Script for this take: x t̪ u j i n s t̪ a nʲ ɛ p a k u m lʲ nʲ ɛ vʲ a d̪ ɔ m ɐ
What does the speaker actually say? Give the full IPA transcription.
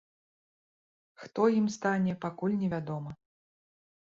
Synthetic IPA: x t̪ ɔ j i m s t̪ a nʲ ɛ p a k u lʲ nʲ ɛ vʲ a d̪ ɔ m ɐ